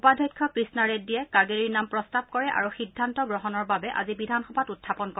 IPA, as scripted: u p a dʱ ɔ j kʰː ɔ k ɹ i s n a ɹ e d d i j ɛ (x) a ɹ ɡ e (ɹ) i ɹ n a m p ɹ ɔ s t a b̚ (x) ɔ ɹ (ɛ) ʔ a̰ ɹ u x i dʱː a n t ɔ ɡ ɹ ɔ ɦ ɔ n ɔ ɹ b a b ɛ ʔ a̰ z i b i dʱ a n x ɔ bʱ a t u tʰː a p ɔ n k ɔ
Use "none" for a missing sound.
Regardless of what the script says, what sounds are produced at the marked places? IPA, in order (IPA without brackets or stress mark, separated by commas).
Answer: k, ɹ, k, ɛ